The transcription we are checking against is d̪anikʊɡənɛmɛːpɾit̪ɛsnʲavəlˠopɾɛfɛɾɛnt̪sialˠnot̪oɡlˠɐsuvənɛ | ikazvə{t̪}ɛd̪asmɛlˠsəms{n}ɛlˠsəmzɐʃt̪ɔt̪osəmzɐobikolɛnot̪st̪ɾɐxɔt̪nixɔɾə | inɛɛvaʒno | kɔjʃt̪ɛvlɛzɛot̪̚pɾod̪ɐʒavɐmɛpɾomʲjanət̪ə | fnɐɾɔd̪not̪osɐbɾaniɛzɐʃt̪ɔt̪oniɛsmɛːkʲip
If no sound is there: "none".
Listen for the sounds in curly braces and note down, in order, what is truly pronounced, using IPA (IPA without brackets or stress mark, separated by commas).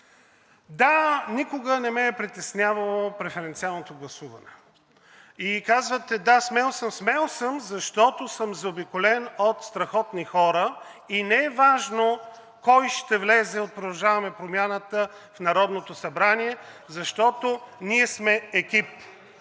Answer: t̪, m